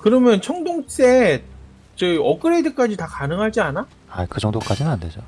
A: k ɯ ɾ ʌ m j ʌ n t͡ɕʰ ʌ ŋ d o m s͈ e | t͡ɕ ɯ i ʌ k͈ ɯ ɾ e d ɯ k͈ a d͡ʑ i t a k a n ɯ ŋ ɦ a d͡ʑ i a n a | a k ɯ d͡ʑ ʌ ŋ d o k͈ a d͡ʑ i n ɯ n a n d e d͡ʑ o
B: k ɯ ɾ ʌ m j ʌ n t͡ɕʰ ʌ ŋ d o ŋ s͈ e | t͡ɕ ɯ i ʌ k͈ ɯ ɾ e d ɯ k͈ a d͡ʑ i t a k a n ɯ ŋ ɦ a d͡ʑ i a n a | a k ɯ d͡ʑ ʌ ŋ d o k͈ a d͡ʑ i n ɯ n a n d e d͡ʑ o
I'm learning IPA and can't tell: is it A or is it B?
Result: B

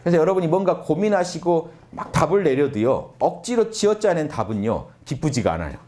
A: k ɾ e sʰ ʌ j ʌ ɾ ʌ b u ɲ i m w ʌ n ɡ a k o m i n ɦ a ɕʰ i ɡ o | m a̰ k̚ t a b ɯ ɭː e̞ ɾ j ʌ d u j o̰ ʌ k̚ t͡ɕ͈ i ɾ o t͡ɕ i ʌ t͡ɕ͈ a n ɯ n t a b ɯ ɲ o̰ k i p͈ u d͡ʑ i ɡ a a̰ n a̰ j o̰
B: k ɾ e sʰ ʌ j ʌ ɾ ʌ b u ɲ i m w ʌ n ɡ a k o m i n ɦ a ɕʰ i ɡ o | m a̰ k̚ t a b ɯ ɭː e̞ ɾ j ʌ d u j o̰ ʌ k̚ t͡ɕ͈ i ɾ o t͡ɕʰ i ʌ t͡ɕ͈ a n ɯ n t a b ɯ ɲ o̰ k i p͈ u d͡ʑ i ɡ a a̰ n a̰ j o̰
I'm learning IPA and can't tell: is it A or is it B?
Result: A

